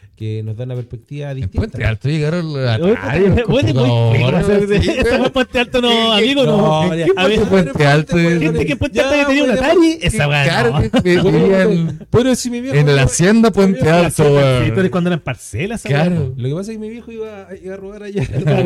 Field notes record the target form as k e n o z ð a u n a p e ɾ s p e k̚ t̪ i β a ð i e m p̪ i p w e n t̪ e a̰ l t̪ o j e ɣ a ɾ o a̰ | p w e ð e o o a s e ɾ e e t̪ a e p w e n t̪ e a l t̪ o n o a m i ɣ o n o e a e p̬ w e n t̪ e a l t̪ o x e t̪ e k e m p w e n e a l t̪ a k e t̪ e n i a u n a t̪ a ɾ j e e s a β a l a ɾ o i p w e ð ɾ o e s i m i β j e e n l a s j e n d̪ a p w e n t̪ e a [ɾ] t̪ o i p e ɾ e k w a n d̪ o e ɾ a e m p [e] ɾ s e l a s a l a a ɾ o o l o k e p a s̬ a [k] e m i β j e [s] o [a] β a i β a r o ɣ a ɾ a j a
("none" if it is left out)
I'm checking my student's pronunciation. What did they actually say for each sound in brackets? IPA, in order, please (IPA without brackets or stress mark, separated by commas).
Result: l, a, k, x, i